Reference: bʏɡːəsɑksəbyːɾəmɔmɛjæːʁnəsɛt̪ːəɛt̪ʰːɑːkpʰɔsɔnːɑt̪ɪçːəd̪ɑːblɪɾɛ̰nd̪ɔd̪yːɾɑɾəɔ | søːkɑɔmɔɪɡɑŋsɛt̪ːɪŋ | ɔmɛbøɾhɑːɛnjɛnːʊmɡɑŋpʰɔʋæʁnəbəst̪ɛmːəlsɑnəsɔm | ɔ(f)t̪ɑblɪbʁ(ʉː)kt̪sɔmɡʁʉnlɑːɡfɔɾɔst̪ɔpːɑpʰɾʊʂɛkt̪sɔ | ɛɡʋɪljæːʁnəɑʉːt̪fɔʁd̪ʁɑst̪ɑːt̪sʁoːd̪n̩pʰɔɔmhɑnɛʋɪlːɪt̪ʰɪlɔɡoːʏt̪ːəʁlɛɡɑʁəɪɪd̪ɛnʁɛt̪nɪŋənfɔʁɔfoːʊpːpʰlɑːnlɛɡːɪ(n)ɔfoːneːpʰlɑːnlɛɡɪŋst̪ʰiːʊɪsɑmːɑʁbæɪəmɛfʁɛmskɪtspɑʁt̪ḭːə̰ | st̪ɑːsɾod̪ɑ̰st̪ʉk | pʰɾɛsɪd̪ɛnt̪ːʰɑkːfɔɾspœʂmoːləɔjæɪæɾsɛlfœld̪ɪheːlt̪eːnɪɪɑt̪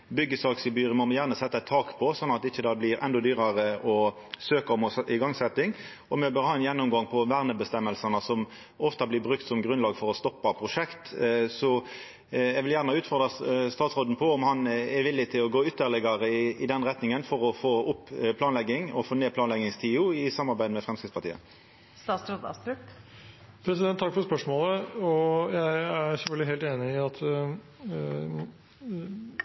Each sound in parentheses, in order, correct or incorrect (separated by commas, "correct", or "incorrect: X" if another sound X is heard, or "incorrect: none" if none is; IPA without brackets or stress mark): correct, incorrect: ʉ, incorrect: ŋ